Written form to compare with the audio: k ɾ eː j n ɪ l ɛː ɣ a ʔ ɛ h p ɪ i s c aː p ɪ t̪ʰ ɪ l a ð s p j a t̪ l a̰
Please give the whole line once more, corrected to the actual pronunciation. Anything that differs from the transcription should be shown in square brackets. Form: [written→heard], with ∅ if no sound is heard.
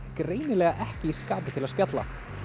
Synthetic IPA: k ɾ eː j n ɪ l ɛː ɣ a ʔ ɛ h [p→c] ɪ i s [c→k] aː p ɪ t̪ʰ ɪ l a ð s p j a t̪ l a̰